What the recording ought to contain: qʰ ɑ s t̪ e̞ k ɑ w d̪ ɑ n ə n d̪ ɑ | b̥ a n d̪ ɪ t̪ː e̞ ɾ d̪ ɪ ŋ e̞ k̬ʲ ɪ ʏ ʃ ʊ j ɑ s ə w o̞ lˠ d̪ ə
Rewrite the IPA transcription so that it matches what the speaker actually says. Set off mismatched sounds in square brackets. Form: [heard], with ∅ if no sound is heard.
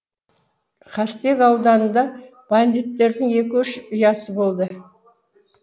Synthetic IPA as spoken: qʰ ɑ s t̪ e̞ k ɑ w d̪ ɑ n ə n d̪ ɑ | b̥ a n d̪ [i] t̪ː e̞ ɾ d̪ ɪ ŋ e̞ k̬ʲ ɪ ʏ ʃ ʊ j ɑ s ə [b] o̞ lˠ d̪ ə

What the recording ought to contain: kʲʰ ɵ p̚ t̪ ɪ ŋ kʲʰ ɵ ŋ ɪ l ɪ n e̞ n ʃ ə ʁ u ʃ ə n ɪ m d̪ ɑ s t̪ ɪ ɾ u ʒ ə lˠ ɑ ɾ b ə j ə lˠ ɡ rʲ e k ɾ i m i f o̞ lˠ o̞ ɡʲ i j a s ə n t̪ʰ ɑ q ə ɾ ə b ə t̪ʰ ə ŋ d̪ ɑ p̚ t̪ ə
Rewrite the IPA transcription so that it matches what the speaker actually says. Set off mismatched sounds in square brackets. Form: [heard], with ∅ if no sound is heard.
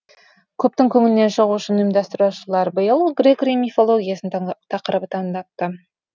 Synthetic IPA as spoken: kʲʰ ɵ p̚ t̪ ɪ ŋ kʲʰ ɵ ŋ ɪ l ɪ n e̞ n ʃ ə ʁ u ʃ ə n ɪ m d̪ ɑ s t̪ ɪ ɾ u [ʃ] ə lˠ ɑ ɾ b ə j ə lˠ ɡ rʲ e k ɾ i m i f o̞ lˠ o̞ ɡʲ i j a s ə n t̪ʰ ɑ q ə ɾ ə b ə t̪ʰ [ɑ] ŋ d̪ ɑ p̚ t̪ ə

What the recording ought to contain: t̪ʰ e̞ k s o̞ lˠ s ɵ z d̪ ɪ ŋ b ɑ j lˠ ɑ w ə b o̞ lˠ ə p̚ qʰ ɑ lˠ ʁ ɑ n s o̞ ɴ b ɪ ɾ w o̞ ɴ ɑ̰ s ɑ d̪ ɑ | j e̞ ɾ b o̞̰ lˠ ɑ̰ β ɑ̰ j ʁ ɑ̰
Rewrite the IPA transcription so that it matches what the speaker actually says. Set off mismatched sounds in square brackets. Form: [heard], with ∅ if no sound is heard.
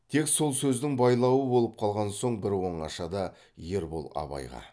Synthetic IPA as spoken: t̪ʰ e̞ k s o̞ lˠ s ɵ z d̪ ɪ ŋ b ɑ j lˠ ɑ w ə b o̞ lˠ ə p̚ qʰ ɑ lˠ ʁ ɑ n s o̞ ɴ b ɪ ɾ w o̞ ɴ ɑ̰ [ʃ] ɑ d̪ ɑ | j e̞ ɾ b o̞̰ lˠ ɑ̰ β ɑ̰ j ʁ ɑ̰

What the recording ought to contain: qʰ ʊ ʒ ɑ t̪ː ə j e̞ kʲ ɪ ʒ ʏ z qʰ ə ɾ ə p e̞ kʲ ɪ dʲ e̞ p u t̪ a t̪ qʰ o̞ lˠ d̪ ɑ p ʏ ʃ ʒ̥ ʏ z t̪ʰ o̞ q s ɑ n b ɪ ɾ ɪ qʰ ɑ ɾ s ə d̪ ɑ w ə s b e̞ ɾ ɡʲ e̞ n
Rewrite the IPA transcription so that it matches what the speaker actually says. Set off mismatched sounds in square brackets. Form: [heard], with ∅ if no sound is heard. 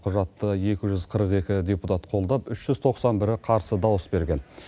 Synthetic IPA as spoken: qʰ ʊ ʒ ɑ t̪ː ə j e̞ kʲ ɪ ʒ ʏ z qʰ ə ɾ ə [q] e̞ kʲ ɪ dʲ e̞ p u t̪ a t̪ qʰ o̞ lˠ d̪ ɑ p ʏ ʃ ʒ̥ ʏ z t̪ʰ o̞ q s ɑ n b ɪ ɾ ɪ qʰ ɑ ɾ s ə d̪ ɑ w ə s b e̞ ɾ ɡʲ e̞ n

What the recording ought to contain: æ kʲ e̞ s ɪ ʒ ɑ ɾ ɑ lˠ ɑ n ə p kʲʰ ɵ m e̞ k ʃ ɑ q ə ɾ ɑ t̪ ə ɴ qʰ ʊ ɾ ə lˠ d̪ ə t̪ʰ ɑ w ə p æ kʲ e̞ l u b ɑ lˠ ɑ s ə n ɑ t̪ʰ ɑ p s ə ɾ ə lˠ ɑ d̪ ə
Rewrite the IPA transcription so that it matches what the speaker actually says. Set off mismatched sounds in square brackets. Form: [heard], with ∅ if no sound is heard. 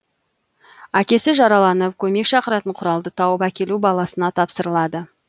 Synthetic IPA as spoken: æ kʲ e̞ s ɪ ʒ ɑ ɾ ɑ lˠ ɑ n ə p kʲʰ ɵ m e̞ k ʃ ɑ q ə ɾ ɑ t̪ ə ɴ qʰ ʊ ɾ [ɑ] lˠ d̪ ə t̪ʰ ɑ w ə p æ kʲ e̞ l u b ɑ lˠ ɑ s ə n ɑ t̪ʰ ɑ p s ə ɾ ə lˠ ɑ d̪ ə

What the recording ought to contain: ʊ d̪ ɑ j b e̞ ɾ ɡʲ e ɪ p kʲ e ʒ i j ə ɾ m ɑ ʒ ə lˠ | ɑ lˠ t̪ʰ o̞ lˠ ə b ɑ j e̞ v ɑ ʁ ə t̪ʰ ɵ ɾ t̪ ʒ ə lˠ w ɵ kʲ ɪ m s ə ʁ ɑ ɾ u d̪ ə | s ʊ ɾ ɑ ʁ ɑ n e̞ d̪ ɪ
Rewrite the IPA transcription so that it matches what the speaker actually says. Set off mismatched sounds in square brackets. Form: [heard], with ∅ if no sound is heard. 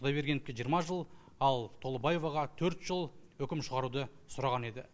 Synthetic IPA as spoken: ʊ d̪ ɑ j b e̞ ɾ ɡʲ e ɪ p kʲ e ʒ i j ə ɾ m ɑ ʒ ə lˠ | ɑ lˠ t̪ʰ o̞ lˠ ə b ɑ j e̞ v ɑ ʁ [ɑ] t̪ʰ ɵ ɾ t̪ ʒ ə lˠ w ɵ kʲ ɪ m [ʃ] ə ʁ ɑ ɾ u d̪ ə | s ʊ ɾ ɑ ʁ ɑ n e̞ d̪ ɪ

